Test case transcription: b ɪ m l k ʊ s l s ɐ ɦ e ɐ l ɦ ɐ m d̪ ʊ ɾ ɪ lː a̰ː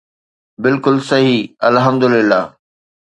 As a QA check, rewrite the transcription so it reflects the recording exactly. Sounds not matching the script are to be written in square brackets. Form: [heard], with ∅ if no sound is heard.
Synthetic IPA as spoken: b ɪ [∅] l k ʊ [∅] l s ɐ ɦ [i] ɐ l ɦ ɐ m d̪ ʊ [l] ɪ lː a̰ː